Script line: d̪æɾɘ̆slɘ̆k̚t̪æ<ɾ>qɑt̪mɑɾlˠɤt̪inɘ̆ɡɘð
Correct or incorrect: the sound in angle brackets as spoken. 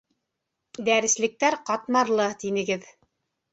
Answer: correct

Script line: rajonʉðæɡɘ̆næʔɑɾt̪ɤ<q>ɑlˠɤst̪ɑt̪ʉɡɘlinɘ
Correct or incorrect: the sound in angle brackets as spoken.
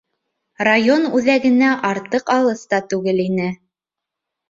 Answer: correct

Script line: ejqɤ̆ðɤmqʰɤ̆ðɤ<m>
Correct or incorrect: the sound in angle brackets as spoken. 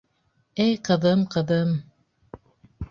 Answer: correct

